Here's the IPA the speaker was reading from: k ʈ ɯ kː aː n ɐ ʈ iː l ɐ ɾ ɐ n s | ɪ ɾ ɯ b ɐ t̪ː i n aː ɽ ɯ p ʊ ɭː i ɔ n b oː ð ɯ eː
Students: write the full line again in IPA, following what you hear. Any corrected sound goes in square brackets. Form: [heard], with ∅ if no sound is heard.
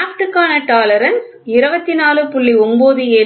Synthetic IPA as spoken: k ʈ ɯ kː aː n ɐ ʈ [aː] l ɐ ɾ ɐ n s | ɪ ɾ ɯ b ɐ t̪ː i n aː [l] ɯ p ʊ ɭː i ɔ [m] b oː ð ɯ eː